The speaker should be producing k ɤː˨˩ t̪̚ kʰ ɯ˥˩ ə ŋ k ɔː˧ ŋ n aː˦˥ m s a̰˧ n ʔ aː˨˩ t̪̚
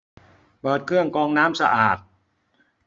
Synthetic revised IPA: p ɤː˨˩ t̪̚ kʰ ɯ˥˩ ə ŋ k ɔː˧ ŋ n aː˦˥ m s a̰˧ ʔ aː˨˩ t̪̚